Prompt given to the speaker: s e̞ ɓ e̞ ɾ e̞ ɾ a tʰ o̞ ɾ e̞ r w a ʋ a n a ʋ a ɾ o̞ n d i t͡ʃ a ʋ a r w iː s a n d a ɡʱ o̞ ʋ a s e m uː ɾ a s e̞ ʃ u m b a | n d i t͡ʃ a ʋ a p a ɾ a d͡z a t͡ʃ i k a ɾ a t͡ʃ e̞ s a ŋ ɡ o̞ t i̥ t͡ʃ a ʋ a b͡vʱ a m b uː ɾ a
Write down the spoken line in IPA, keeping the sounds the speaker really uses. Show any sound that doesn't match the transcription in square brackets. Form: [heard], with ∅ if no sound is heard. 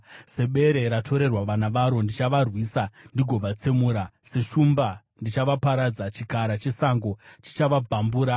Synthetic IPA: s e̞ ɓ e̞ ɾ e̞ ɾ a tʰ o̞ ɾ e̞ r w a ʋ a n a ʋ a ɾ o̞ n d i t͡ʃ a ʋ a r w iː s a n d [i] ɡʱ o̞ ʋ a [t͡s] e m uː ɾ a s e̞ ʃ u m b a | n d i t͡ʃ a ʋ a p a ɾ a d͡z a t͡ʃ i k a ɾ a t͡ʃ e̞ s a ŋ ɡ o̞ [t͡ʃ] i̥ t͡ʃ a ʋ a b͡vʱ a m b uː ɾ a